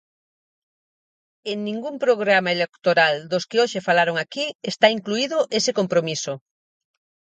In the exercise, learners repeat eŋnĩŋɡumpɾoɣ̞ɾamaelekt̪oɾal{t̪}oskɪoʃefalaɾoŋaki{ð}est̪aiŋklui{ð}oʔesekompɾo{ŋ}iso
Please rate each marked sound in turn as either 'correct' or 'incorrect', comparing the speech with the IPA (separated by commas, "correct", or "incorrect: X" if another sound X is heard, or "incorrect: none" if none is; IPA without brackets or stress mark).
incorrect: d̪, incorrect: none, correct, incorrect: m